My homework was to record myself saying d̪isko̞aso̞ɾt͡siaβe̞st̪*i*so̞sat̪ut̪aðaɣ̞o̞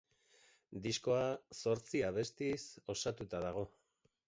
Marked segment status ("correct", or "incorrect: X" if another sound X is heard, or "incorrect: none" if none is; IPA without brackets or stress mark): correct